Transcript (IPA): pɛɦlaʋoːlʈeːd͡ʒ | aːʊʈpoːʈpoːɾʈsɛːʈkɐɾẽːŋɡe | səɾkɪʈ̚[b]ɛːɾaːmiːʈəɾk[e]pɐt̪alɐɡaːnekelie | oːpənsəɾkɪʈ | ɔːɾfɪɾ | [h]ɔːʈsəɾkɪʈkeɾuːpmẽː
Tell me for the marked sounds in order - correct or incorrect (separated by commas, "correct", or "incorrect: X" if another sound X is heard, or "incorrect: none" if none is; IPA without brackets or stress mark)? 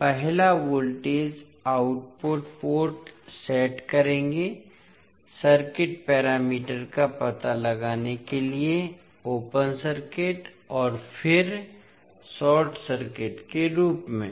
incorrect: p, incorrect: a, incorrect: s